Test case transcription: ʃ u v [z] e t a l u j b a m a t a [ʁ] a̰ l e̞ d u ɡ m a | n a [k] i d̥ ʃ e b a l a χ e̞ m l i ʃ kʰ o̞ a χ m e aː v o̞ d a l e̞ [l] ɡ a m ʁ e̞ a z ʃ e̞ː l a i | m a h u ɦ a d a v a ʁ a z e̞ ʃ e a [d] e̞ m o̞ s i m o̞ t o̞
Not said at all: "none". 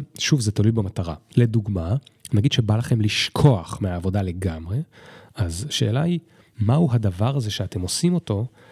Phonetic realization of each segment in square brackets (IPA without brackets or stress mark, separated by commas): z, ʁ, ɡ, none, t